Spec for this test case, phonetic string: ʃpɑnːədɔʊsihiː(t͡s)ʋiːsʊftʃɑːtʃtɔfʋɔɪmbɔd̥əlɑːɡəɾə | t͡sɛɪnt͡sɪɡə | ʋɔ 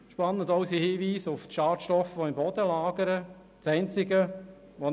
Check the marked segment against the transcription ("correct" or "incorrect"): incorrect